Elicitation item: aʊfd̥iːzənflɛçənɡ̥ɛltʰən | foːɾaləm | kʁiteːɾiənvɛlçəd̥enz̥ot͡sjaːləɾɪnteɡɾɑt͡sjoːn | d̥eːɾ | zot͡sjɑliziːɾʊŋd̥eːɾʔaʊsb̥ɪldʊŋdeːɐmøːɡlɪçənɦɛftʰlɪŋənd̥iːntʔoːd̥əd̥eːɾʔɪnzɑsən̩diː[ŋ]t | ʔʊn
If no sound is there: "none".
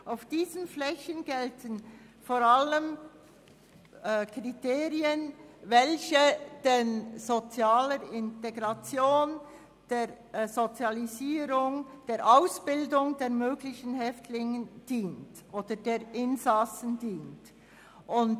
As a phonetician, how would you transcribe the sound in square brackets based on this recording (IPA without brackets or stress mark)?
n